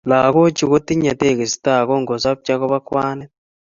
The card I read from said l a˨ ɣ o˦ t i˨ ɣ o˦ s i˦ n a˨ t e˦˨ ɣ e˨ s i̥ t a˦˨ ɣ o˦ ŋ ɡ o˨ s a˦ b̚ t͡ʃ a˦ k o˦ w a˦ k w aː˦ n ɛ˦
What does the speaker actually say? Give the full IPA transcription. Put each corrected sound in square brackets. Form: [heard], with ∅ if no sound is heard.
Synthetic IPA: l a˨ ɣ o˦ [t͡ʃ] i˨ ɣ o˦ [t] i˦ [ɲ] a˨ t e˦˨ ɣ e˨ s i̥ t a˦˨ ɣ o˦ ŋ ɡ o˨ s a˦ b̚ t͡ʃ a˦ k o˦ [β] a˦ k w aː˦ n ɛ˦

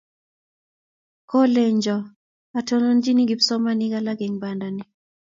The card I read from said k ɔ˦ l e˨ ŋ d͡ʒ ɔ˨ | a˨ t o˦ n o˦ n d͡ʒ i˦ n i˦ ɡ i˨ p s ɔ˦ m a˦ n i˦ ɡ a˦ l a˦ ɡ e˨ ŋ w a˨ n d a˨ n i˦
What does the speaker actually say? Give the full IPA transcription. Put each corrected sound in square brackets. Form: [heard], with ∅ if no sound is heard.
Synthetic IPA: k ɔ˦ l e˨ [ɲ] d͡ʒ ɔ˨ | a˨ t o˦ n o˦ n d͡ʒ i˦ n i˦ ɡ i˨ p s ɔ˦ m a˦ n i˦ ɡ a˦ l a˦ ɡ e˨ ŋ [b] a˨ n d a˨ n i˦

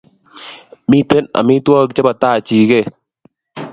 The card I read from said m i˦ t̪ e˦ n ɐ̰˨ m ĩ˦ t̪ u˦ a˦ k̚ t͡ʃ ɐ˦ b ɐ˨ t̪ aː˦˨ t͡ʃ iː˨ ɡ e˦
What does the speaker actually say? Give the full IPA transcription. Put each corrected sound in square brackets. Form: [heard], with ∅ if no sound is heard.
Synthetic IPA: m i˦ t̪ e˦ n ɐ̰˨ m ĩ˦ t̪ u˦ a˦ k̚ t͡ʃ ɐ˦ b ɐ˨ t̪ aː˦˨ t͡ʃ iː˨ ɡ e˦

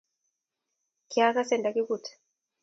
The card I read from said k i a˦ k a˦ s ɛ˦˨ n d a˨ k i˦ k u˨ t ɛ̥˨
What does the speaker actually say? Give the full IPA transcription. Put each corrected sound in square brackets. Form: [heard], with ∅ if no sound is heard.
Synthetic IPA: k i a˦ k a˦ s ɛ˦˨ n d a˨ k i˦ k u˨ t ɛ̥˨

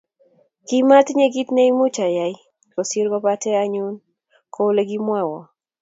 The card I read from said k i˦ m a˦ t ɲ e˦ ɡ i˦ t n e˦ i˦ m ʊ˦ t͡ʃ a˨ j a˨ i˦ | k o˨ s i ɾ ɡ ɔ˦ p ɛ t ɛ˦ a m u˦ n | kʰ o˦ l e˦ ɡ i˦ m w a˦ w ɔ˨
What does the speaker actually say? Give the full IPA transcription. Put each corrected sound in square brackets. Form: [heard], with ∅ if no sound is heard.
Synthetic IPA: k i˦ m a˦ t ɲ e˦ ɡ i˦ t n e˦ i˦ m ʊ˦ t͡ʃ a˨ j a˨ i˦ | k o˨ s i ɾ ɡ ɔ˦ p [a] t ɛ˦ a [ɲ] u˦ n | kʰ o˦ l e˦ ɡ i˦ m w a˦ w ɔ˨

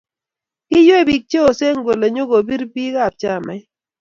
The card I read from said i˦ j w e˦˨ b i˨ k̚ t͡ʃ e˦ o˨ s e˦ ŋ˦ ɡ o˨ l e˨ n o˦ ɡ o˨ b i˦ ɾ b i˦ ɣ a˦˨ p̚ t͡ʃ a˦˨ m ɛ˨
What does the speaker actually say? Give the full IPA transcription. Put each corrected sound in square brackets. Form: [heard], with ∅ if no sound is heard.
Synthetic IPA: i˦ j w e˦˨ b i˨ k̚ t͡ʃ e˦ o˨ s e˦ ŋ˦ ɡ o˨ l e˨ [ɲ] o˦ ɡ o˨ b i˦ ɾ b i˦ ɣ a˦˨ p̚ t͡ʃ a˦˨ m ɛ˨

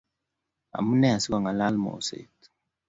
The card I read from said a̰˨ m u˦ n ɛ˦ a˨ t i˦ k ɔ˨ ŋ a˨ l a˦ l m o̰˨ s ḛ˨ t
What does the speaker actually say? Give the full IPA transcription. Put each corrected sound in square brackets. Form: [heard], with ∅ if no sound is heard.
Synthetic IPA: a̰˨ m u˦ n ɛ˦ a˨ [s] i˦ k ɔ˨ ŋ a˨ l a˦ l m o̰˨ s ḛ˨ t

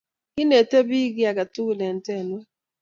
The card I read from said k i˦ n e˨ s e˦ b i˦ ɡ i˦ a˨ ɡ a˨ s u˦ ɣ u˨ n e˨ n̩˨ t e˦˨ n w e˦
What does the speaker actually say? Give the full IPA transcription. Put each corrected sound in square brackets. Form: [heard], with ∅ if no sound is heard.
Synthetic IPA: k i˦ n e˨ [t] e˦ b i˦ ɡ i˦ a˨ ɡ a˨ [t] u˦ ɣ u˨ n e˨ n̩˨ t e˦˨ n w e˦

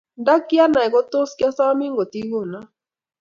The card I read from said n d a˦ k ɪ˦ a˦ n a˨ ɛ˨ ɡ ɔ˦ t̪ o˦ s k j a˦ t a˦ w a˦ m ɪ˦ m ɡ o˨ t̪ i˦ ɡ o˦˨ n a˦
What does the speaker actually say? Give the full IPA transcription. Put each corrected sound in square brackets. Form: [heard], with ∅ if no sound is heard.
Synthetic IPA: n d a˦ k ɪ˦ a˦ n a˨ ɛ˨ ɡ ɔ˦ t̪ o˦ s k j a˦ [s] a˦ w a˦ m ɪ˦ [ŋ] ɡ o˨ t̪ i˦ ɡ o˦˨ n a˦

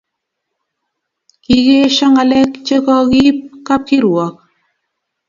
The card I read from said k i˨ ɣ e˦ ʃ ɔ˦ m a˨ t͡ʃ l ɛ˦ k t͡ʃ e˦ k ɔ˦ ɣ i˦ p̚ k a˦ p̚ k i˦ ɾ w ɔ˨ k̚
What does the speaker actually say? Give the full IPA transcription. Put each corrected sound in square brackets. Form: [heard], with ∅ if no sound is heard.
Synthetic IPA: k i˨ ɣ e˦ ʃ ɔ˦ [ŋ] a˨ [∅] l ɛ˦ k t͡ʃ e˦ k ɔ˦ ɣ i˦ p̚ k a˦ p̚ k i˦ ɾ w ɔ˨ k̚

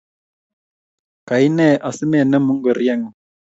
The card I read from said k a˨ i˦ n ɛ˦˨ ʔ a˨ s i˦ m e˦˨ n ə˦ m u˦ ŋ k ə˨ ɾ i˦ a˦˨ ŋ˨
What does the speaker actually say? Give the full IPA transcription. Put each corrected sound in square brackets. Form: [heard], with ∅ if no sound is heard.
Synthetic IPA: k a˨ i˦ n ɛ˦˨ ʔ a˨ s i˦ m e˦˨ n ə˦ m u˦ ŋ [ɡ] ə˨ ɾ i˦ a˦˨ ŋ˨

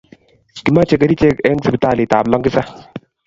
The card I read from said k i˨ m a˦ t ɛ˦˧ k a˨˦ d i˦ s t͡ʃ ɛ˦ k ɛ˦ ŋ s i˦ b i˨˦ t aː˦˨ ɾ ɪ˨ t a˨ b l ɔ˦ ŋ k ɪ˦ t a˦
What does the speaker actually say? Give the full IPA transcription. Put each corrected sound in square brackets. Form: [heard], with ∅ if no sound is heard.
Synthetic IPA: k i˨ m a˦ [t͡ʃ] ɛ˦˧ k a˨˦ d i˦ [∅] t͡ʃ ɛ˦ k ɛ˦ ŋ s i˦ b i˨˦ t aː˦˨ [l] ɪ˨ t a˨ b l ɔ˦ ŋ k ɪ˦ [s] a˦

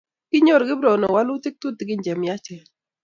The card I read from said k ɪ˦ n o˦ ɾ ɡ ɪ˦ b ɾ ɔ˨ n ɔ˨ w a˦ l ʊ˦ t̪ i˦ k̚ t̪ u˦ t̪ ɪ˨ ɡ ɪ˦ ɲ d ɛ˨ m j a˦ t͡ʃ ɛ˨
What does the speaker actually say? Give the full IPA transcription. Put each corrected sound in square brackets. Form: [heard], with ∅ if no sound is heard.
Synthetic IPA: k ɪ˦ [ɲ] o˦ ɾ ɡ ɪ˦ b ɾ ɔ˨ n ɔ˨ w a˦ l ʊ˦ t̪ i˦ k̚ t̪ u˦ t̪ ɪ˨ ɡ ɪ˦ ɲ [d͡ʒ] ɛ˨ m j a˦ t͡ʃ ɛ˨

